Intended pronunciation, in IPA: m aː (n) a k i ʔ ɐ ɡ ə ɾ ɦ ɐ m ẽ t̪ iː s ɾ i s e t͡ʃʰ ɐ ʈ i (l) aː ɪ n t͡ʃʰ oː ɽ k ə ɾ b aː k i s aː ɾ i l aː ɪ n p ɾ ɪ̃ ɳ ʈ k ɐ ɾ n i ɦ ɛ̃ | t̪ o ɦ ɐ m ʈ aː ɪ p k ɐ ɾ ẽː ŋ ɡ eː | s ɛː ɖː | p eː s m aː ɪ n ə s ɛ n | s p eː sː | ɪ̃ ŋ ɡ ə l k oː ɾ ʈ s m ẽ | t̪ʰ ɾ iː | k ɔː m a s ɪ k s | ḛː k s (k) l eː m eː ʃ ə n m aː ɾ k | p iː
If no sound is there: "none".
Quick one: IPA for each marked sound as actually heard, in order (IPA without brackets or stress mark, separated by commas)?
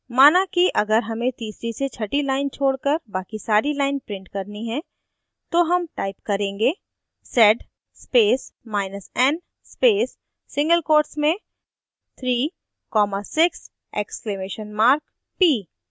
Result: n, l, k